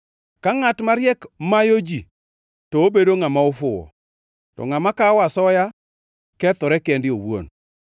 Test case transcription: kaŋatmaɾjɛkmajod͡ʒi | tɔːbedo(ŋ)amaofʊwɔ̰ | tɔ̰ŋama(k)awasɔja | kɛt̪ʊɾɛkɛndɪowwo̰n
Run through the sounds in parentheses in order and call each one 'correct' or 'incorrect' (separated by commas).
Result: correct, correct